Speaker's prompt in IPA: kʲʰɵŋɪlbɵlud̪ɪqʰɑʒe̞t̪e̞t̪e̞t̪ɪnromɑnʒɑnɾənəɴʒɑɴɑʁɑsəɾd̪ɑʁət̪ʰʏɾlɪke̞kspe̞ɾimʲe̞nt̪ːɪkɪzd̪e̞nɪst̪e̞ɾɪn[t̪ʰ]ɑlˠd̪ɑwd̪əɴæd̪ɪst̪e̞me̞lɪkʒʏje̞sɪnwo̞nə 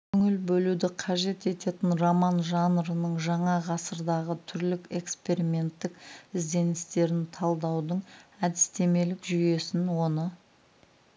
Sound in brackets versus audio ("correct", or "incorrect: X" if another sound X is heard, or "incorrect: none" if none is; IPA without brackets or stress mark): correct